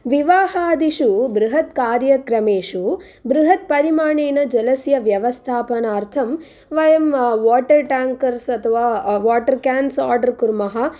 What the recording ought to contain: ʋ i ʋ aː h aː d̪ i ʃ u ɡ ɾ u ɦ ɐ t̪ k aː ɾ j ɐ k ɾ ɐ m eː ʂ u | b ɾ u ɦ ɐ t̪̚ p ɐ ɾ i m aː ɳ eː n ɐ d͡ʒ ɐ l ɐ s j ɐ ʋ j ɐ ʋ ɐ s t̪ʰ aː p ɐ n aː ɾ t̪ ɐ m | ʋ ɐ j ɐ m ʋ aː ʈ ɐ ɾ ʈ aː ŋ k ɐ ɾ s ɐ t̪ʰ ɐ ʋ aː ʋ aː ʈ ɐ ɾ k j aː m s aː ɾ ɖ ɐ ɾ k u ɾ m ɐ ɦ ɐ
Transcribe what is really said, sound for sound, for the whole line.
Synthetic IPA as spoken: ʋ i ʋ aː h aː d̪ i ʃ u b ɾ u ɦ ɐ t̪ k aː ɾ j ɐ k ɾ ɐ m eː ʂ u | b ɾ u ɦ ɐ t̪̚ p ɐ ɾ i m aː ɳ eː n ɐ d͡ʒ ɐ l ɐ s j ɐ ʋ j ɐ ʋ ɐ s t̪ʰ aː p ɐ n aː ɾ t̪ʰ ɐ m | ʋ ɐ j ɐ m ʋ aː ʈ ɐ ɾ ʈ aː ŋ k ɐ ɾ s ɐ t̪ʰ ɐ ʋ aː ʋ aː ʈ ɐ ɾ k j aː n s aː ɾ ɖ ɐ ɾ k u ɾ m ɐ ɦ ɐ